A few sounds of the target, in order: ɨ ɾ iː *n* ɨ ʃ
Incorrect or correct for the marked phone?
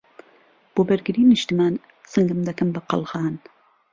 correct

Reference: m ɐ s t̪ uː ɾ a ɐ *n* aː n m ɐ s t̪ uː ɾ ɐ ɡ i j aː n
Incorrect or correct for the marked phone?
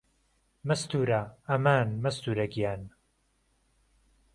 incorrect: m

